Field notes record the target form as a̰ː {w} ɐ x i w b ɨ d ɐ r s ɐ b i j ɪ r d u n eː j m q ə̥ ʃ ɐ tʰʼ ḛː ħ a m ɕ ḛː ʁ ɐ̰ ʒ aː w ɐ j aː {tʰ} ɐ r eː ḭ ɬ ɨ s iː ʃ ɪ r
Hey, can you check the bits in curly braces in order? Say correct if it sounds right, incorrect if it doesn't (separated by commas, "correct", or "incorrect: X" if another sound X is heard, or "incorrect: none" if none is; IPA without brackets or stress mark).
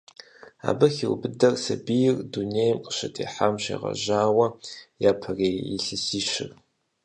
incorrect: b, incorrect: pʰ